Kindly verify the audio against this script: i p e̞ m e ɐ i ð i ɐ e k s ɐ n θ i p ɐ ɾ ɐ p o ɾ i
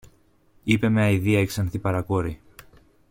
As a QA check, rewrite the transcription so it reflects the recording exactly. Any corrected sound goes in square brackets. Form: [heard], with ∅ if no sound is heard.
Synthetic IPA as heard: i p e̞ m e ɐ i ð i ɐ e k s ɐ n θ i p ɐ ɾ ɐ [k] o ɾ i